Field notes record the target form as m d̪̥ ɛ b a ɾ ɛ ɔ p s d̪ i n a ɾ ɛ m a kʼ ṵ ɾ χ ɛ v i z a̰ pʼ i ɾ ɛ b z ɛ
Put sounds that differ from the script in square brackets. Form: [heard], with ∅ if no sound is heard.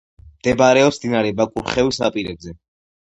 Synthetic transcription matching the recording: m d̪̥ ɛ b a ɾ ɛ ɔ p s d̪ i n a ɾ ɛ [b] a kʼ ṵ ɾ χ ɛ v i [s] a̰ pʼ i ɾ ɛ b z ɛ